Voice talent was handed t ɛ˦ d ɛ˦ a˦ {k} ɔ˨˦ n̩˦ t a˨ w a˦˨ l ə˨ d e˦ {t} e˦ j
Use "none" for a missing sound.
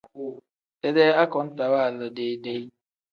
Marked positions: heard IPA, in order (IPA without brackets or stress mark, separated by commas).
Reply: k, d